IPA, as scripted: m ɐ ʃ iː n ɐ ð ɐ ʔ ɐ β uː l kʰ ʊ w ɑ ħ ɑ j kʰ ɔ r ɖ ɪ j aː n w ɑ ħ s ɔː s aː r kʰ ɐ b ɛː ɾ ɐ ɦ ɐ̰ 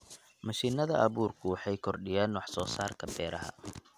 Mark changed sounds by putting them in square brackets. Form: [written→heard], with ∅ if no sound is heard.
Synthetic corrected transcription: m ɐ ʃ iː n ɐ ð ɐ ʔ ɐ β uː [l→r] kʰ ʊ w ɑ ħ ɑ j kʰ ɔ r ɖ ɪ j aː n w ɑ ħ s ɔː s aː r kʰ ɐ b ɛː ɾ ɐ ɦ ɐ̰